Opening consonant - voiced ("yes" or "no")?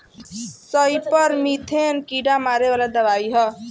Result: no